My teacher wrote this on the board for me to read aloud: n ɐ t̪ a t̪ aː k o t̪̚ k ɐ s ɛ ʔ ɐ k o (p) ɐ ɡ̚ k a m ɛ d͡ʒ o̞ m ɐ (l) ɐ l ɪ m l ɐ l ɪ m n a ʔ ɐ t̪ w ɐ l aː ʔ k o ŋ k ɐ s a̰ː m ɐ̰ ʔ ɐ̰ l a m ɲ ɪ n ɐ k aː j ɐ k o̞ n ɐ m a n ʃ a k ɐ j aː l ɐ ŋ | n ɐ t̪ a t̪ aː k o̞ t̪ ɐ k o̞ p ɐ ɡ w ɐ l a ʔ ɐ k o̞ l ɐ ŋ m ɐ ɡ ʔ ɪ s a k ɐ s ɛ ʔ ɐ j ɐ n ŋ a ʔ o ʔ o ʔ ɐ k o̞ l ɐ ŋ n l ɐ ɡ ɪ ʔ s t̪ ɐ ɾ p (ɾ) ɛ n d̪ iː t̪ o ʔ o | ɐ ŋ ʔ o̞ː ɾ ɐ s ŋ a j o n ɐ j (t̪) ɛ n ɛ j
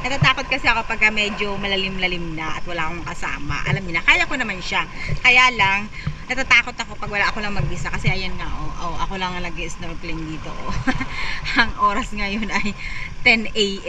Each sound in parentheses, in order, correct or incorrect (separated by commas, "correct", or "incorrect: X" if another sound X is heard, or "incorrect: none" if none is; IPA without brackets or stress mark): correct, correct, incorrect: l, correct